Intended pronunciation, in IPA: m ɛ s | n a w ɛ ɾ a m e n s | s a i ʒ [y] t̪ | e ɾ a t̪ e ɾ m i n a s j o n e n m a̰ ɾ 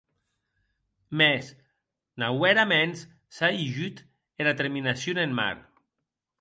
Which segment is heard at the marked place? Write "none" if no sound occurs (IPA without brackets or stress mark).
y